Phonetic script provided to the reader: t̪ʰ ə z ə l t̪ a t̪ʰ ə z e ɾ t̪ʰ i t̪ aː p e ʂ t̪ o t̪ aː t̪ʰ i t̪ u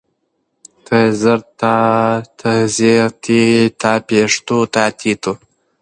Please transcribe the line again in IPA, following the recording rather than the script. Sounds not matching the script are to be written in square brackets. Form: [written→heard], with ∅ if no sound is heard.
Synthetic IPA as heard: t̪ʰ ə z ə [l→ɾ] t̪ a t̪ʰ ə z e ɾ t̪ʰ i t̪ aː p e ʂ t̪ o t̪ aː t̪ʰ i t̪ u